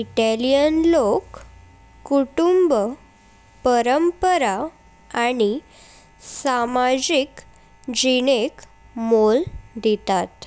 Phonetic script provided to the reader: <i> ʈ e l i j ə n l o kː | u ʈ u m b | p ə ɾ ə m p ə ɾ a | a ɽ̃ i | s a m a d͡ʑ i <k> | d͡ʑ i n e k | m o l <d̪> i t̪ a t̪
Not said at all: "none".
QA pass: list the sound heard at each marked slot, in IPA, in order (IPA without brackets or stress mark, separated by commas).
i, k, d̪